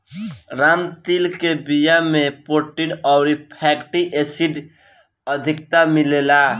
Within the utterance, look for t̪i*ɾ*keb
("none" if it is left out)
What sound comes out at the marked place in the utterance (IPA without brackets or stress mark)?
l